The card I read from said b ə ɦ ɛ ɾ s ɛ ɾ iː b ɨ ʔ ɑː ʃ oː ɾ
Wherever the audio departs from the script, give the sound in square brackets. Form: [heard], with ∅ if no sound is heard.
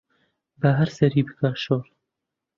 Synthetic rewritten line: b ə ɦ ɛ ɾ s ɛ ɾ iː b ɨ [k] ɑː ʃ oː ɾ